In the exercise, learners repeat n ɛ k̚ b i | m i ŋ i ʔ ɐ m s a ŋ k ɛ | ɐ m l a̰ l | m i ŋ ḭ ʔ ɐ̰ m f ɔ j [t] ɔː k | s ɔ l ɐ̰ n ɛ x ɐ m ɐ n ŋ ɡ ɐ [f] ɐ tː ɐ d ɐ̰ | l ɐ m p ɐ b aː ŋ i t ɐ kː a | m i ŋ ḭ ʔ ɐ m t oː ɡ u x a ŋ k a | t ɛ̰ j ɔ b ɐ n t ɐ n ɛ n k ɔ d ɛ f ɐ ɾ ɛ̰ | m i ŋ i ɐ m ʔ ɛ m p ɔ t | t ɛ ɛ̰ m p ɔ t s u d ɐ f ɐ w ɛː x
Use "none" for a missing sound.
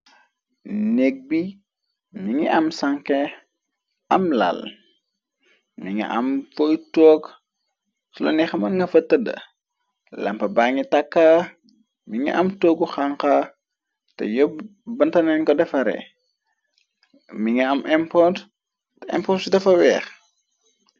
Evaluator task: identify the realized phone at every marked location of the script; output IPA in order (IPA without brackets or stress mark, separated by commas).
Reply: t, f